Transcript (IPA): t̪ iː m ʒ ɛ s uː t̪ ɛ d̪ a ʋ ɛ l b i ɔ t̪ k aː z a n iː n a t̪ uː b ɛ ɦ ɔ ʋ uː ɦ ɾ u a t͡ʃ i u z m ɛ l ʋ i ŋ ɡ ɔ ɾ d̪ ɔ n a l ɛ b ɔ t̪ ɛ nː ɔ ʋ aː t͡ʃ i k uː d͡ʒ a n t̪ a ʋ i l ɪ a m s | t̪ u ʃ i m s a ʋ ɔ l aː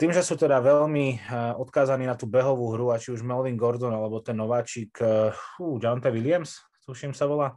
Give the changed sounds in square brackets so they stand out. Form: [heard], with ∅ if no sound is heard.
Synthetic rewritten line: t̪ iː m ʒ ɛ s uː t̪ ɛ d̪ a ʋ ɛ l [m] i ɔ t̪ k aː z a n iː n a t̪ uː b ɛ ɦ ɔ ʋ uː ɦ ɾ u a t͡ʃ i u [ʒ] m ɛ l ʋ i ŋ ɡ ɔ ɾ d̪ ɔ n a l ɛ b ɔ t̪ ɛ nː ɔ ʋ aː t͡ʃ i k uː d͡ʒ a n t̪ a ʋ i l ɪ a m s | t̪ u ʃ i m s a ʋ ɔ l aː